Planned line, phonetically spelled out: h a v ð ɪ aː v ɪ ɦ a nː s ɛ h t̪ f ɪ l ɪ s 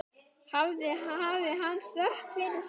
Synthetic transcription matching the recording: h a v ð ɪ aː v ɪ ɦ a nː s œ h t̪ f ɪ ɾ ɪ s